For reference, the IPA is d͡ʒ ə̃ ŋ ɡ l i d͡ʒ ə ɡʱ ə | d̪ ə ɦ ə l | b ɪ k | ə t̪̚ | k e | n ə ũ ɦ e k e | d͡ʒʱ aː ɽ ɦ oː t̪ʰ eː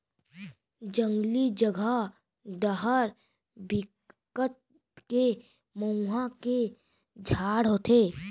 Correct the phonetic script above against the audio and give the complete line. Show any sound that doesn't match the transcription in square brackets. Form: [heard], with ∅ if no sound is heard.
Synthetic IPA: d͡ʒ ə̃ ŋ ɡ l i d͡ʒ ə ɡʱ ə | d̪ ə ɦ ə [ɾ] | b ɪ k | ə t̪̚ | k e | [m] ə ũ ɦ [a] k e | d͡ʒʱ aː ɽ ɦ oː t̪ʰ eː